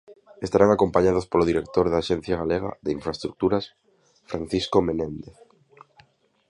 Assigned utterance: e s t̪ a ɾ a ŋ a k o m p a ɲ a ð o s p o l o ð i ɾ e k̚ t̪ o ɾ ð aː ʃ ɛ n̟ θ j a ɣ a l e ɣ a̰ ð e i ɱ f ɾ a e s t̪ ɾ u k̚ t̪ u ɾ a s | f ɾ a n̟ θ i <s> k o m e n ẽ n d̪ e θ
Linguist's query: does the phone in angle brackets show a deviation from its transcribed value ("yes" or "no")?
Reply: no